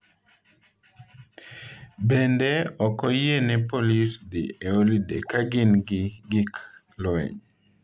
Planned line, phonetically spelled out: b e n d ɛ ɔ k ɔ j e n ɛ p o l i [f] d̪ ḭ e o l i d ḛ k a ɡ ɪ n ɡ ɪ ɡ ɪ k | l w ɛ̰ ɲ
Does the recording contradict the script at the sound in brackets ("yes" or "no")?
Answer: yes